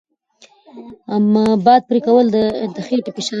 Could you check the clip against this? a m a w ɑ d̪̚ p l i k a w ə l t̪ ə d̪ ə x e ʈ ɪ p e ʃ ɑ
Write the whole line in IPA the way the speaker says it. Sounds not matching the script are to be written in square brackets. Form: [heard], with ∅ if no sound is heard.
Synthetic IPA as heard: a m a [b] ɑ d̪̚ p [ɾ] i k a w ə l [d̪] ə d̪ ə x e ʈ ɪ p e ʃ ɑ